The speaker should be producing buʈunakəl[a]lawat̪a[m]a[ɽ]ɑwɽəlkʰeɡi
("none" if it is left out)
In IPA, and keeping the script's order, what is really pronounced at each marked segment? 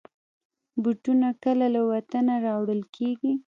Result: a, n, ɾ

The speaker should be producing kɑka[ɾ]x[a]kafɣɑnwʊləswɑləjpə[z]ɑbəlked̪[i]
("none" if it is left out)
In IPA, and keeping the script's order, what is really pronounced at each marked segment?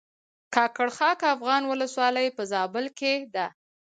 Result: ɽ, ɑ, z, a

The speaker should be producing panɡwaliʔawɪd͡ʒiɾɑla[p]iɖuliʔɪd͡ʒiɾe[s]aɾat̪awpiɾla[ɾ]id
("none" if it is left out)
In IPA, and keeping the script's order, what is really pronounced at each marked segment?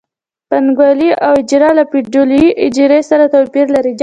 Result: p, s, ɾ

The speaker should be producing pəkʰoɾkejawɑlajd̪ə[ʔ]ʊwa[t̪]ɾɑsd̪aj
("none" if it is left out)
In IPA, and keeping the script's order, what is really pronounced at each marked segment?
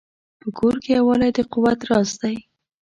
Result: q, t̪

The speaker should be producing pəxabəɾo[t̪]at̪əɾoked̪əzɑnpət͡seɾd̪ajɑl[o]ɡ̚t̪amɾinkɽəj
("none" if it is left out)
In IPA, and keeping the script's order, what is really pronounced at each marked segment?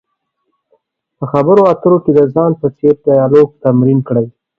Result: none, o

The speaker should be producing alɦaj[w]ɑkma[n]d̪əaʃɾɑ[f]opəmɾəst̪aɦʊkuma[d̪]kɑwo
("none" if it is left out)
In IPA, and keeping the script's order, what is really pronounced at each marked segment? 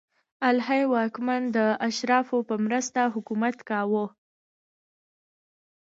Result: w, n, f, t̪

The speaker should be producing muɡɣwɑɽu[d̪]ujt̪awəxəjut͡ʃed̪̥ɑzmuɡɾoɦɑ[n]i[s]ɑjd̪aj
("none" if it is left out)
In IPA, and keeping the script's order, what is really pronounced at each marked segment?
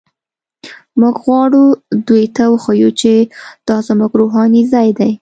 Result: d̪, n, z

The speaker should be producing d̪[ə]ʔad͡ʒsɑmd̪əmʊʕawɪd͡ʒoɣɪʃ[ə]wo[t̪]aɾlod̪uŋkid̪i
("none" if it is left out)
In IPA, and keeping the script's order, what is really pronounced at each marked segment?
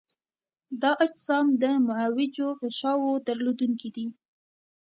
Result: ɑ, ɑ, d̪

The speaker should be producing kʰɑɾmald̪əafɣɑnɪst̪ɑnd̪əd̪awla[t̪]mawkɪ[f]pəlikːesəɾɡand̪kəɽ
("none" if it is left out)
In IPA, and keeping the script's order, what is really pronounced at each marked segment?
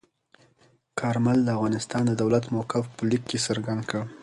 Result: t̪, f

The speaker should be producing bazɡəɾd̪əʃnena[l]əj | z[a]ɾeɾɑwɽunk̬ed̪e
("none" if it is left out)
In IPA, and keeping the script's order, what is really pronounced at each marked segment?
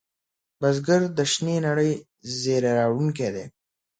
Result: ɽ, e

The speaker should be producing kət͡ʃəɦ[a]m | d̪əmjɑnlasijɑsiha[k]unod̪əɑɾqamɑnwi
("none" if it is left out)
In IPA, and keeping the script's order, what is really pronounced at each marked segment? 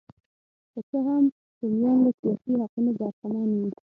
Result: a, q

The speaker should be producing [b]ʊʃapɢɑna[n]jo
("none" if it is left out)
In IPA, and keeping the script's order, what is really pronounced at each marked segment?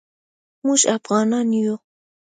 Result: m, n

